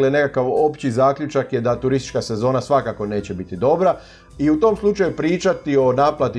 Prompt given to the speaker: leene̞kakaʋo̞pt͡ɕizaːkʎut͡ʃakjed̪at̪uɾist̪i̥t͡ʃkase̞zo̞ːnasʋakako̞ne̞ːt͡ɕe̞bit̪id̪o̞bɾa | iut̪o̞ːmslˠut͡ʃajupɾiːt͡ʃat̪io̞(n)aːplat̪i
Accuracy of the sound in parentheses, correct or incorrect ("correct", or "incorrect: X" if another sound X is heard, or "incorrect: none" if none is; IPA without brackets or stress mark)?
correct